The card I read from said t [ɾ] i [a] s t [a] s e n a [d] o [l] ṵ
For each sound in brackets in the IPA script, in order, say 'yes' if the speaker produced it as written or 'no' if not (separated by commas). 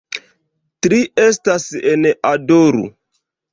yes, no, yes, yes, no